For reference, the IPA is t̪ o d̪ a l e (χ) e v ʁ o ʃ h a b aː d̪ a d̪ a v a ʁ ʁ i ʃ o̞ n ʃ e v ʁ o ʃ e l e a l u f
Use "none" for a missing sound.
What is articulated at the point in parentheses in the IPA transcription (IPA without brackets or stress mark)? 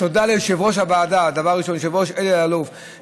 ʃ